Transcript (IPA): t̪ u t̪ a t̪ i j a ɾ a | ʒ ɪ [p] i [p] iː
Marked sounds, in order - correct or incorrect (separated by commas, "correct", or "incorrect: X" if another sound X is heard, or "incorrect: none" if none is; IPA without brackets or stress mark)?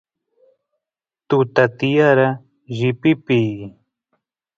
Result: correct, correct